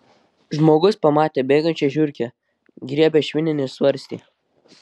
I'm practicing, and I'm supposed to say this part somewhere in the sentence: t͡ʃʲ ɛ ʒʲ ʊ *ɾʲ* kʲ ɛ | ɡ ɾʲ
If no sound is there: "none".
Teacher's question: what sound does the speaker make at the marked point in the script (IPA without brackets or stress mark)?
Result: ɾʲ